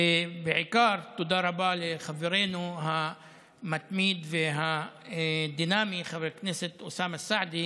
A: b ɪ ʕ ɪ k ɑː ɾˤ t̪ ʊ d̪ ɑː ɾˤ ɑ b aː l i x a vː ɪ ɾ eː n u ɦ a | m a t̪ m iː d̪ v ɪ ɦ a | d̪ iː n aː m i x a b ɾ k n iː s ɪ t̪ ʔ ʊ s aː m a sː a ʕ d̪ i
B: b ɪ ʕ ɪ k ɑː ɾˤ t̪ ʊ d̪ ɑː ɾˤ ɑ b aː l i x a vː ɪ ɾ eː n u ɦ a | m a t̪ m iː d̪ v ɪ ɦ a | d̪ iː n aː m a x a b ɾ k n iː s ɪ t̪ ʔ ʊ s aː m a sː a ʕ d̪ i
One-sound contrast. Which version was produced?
A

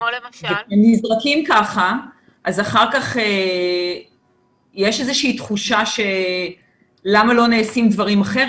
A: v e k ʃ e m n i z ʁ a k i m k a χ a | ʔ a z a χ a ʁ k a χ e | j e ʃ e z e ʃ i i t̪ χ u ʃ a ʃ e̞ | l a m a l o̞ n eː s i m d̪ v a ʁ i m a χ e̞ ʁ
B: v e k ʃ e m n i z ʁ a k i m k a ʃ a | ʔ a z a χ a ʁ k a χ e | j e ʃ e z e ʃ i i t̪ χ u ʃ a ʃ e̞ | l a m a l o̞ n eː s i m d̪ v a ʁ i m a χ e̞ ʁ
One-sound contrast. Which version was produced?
A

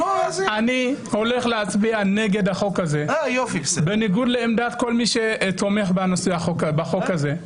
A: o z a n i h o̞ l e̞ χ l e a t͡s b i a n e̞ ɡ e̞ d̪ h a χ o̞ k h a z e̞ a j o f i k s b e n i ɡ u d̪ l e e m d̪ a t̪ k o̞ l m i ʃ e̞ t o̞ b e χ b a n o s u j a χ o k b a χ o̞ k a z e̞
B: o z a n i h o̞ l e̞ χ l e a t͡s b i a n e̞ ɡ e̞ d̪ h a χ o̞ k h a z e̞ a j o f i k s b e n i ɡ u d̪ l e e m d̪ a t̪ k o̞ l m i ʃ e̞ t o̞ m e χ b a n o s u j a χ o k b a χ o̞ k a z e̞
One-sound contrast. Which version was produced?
B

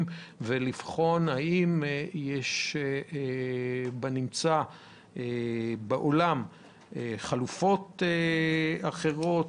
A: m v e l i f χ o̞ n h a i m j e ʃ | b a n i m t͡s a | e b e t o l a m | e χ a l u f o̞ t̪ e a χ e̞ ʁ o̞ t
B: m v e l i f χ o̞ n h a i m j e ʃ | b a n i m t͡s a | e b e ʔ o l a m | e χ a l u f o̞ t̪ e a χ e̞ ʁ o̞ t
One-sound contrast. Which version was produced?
B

